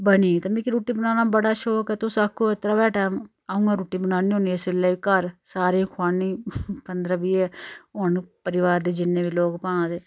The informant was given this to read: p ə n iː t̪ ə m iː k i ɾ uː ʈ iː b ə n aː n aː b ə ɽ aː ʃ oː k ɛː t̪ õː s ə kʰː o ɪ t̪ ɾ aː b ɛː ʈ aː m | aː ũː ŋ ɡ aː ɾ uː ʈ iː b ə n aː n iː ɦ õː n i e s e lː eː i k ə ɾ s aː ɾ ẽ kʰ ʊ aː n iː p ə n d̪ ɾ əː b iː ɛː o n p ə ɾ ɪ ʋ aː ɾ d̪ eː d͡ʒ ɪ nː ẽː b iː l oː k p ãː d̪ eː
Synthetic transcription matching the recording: b ə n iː t̪ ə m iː k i ɾ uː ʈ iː b ə n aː n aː b ə ɽ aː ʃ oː k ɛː t̪ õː s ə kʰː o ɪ t̪ ɾ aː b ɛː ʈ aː m | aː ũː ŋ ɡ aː ɾ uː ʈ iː b ə n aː n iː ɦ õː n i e s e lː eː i k ə ɾ s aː ɾ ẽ kʰ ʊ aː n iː p ə n d̪ ɾ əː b iː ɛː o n p ə ɾ ɪ ʋ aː ɾ d̪ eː d͡ʒ ɪ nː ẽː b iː l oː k p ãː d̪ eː